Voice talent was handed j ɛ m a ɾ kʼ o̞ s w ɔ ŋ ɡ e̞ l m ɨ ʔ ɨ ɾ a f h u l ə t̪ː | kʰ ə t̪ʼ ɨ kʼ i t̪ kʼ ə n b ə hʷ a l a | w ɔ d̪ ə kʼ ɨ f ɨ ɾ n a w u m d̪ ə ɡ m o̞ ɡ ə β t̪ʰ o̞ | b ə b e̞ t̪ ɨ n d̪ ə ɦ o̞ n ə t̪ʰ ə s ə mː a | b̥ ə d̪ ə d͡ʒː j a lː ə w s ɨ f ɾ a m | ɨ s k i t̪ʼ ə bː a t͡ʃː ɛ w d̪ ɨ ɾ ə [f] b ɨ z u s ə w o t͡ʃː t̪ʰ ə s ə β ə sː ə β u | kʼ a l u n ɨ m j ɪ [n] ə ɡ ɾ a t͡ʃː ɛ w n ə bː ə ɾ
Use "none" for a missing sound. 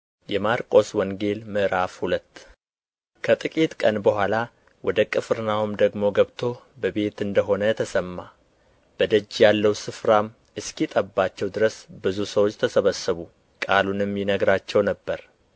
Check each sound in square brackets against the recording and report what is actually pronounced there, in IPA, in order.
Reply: s, n

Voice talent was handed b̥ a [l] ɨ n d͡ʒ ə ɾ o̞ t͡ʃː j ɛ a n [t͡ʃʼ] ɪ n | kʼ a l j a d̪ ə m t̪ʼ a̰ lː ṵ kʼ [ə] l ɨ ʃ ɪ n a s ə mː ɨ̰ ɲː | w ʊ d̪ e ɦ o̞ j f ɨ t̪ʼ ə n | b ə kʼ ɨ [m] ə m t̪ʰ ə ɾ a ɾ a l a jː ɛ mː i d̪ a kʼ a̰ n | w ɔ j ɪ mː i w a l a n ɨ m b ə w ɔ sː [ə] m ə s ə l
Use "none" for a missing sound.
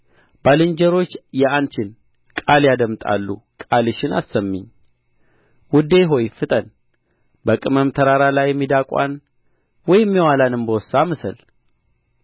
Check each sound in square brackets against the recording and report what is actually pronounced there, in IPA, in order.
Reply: l, t͡ʃ, a, m, a

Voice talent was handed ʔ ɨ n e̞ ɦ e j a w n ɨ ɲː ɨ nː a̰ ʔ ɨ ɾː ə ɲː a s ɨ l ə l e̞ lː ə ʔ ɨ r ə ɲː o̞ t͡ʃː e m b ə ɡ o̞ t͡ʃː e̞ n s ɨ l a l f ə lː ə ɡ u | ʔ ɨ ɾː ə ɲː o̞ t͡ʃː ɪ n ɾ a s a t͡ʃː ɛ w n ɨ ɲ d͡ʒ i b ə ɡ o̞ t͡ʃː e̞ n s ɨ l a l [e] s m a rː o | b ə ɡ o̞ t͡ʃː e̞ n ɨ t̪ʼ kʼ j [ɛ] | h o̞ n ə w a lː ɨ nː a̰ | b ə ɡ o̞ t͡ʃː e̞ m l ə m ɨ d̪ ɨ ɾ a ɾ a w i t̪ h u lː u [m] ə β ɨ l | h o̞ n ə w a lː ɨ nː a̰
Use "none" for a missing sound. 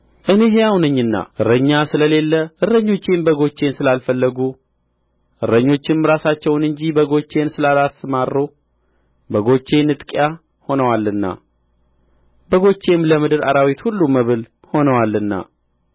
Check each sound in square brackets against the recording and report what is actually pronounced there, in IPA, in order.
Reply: a, a, m

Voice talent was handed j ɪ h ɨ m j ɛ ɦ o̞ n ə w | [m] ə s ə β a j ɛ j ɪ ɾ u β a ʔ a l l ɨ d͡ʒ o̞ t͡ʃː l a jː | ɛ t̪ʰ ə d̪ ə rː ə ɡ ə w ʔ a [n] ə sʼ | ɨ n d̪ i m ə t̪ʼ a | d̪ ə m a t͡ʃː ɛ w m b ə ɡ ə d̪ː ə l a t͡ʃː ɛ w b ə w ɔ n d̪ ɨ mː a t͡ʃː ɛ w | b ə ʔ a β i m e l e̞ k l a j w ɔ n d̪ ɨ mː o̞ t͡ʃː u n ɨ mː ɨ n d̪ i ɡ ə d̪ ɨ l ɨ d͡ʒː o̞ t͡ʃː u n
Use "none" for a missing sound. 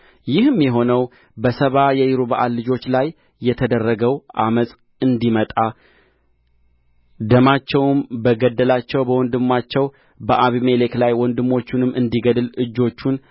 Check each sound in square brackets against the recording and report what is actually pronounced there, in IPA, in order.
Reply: b, m

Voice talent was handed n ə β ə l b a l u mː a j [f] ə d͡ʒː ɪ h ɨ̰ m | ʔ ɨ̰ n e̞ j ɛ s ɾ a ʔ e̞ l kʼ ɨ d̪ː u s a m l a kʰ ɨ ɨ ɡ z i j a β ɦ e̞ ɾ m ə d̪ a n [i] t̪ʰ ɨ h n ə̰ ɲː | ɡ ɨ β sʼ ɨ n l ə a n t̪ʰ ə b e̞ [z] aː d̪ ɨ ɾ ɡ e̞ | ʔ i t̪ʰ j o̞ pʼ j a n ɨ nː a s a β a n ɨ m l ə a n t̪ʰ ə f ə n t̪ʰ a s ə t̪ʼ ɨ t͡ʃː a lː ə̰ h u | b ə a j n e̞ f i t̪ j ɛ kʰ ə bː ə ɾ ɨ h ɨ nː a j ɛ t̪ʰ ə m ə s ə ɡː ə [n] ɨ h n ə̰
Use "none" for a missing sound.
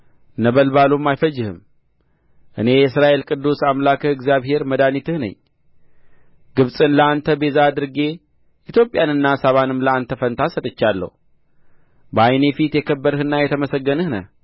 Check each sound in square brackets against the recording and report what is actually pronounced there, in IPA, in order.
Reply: f, i, z, n

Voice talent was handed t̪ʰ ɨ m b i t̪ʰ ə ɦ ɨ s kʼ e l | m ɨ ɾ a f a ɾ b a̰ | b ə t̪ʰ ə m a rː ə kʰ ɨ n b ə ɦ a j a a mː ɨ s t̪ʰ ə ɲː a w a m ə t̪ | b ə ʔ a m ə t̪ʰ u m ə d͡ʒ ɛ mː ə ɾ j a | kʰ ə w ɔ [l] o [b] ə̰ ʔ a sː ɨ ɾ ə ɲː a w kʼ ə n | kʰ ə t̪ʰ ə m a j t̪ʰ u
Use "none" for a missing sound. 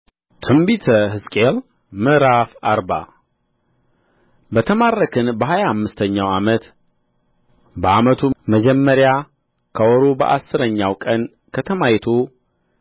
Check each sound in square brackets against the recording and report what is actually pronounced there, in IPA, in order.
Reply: ɾ, b

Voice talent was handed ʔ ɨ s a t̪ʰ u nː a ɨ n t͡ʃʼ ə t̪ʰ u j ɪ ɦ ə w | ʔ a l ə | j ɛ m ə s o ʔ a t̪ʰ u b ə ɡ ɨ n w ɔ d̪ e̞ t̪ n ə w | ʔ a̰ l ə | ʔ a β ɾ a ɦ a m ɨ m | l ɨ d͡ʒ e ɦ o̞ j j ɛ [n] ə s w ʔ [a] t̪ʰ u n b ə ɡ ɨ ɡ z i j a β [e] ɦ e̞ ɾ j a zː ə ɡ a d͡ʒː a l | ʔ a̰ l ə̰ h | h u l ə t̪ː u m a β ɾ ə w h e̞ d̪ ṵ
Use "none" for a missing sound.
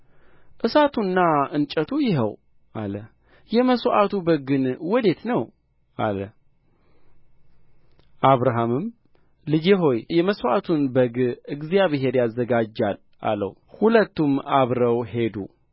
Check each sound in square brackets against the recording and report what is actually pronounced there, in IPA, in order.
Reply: m, a, e

